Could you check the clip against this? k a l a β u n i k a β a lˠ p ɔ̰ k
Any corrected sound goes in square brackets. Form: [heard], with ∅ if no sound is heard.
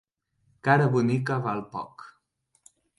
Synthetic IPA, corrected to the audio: k a [ɾ] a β u n i k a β a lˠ p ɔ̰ k